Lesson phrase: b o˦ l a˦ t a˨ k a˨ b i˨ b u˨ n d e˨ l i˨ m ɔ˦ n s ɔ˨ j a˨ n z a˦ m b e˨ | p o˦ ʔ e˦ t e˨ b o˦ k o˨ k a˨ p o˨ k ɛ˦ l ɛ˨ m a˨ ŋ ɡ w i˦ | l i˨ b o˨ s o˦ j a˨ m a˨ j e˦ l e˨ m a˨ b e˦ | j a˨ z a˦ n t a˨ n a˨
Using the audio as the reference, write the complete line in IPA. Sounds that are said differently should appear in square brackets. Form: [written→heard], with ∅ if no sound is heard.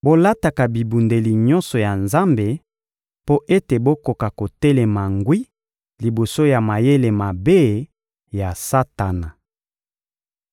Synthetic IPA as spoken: b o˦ l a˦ t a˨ k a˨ b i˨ b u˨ n d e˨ l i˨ [m→ɲ] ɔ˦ n s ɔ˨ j a˨ n z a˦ m b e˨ | p o˦ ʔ e˦ t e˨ b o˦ k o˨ k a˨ [p→k] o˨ [k→t] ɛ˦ l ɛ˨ m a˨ ŋ ɡ w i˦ | l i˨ b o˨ s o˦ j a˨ m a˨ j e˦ l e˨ m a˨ b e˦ | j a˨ [z→s] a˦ [n→∅] t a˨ n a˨

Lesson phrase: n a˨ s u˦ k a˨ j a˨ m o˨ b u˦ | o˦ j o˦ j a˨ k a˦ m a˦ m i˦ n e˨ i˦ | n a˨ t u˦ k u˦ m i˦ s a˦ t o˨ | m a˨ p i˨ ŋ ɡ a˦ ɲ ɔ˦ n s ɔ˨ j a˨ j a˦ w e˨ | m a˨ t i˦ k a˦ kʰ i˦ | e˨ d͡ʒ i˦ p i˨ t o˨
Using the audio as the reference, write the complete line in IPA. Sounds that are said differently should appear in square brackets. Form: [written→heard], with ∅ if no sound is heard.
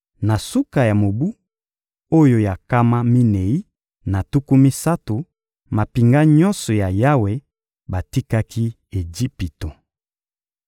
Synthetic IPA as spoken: n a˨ s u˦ k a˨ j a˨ m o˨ b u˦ | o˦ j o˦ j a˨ k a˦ m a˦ m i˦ n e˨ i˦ | n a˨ t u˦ k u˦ m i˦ s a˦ t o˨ | m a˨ p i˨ ŋ ɡ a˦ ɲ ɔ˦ n s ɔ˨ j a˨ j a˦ w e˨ | [m→b] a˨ t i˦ k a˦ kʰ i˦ | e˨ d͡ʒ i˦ p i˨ t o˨

